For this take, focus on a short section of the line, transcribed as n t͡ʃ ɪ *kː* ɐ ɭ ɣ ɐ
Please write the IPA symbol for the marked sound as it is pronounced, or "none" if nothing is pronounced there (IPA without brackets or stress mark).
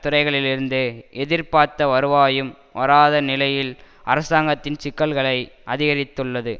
kː